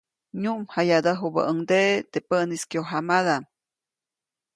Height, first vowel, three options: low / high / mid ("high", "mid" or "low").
high